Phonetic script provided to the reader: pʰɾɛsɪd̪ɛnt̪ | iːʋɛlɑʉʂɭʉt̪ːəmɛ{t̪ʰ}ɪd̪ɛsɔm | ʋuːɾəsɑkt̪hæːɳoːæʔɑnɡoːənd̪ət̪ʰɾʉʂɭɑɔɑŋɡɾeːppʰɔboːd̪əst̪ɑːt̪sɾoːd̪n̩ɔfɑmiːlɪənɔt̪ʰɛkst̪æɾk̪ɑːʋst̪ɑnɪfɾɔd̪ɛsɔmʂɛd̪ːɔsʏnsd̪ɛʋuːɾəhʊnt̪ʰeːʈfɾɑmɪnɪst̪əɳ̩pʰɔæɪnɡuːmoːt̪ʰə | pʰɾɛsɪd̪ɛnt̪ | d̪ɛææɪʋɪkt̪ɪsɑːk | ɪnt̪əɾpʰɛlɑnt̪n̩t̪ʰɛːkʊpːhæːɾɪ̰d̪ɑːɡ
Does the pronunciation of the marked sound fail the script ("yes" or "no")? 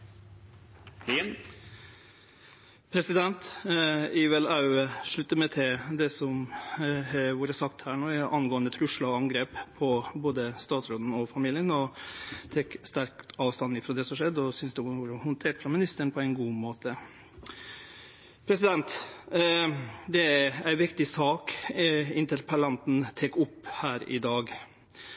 no